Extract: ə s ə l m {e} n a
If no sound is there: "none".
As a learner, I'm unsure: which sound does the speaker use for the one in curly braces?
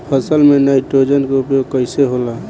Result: e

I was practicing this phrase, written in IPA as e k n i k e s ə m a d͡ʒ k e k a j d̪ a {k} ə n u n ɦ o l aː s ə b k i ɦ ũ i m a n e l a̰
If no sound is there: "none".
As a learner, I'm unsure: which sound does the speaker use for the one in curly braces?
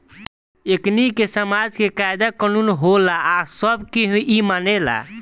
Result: k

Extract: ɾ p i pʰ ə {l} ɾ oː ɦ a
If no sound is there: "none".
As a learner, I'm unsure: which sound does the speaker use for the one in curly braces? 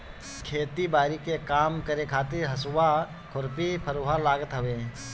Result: none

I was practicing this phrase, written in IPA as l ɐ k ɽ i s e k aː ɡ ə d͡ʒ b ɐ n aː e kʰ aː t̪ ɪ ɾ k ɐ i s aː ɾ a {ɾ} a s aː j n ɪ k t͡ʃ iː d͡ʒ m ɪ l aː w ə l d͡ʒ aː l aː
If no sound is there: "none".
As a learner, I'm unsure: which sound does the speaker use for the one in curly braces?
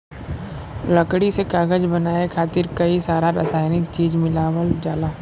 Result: ɾ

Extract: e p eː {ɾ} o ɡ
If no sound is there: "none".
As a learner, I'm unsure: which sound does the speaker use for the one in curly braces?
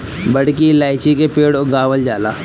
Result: ɽ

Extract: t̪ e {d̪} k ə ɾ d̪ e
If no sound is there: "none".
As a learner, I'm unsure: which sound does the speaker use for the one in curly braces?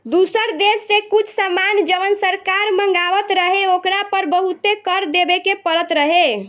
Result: none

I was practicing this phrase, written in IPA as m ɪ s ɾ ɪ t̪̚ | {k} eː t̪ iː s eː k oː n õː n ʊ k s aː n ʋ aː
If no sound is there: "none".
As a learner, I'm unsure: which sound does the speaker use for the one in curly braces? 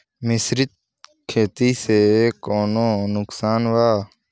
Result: kʰ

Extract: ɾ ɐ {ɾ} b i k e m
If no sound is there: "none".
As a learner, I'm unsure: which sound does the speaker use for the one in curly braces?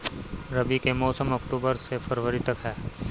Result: none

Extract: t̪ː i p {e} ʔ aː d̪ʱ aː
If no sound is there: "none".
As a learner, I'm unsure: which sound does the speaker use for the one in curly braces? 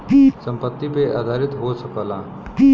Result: e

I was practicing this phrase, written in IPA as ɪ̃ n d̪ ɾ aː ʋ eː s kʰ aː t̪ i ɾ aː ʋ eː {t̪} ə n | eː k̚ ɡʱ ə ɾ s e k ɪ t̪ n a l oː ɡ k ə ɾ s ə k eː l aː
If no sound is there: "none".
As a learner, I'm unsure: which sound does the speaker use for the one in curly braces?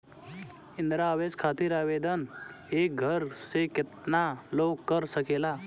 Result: d̪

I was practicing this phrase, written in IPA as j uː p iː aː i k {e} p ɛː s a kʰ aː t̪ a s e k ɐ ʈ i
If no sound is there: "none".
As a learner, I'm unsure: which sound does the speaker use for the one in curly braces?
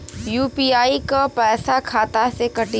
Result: a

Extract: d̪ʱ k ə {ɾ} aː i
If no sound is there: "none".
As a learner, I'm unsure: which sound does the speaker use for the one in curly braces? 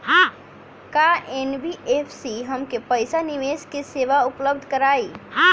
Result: ɾ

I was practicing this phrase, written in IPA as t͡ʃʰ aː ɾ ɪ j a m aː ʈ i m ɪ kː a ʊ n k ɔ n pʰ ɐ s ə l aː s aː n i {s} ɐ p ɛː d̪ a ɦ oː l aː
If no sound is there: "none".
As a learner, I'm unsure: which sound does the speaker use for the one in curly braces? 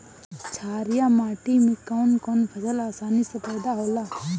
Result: s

